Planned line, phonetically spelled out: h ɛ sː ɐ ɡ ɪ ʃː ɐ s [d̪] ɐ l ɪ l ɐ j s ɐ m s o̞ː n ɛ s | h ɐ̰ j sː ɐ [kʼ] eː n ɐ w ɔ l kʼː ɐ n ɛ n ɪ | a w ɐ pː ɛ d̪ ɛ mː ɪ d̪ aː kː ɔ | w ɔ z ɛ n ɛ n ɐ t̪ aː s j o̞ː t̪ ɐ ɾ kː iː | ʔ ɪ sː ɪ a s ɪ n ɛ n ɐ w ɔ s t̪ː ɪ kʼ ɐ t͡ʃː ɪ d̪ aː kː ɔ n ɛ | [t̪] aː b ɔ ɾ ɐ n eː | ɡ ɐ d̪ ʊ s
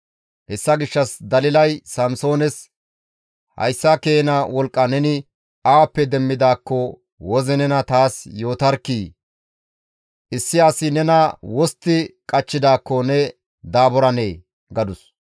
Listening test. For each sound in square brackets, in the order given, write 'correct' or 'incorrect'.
correct, incorrect, incorrect

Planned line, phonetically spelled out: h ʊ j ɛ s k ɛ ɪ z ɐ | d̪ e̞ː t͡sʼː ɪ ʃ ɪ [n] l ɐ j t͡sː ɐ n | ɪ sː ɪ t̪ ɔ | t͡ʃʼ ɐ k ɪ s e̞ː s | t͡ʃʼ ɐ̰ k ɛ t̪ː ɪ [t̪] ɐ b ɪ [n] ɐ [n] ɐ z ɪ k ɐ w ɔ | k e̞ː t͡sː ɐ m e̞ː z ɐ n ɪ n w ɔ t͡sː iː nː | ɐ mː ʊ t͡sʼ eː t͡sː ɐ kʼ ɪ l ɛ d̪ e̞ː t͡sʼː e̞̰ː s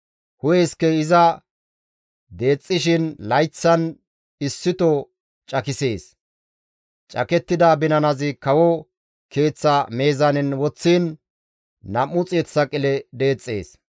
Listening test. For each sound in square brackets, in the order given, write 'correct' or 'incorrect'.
correct, incorrect, correct, correct

